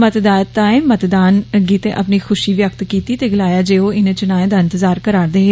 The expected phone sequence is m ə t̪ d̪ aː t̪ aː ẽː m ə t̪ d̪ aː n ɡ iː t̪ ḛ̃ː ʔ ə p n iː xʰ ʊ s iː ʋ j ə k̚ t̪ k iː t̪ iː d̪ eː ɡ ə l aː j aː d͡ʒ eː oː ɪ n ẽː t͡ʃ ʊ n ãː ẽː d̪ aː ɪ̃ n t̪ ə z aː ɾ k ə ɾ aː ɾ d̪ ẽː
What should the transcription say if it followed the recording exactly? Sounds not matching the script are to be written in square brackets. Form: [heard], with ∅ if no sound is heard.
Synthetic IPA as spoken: m ə t̪ d̪ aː t̪ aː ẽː m ə t̪ d̪ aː n ɡ iː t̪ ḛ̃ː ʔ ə p n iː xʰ ʊ [ʃ] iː ʋ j ə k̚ t̪ k iː t̪ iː [t̪] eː ɡ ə l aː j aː d͡ʒ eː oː ɪ n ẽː t͡ʃ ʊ n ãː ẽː d̪ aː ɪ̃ n t̪ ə z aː ɾ k ə ɾ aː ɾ d̪ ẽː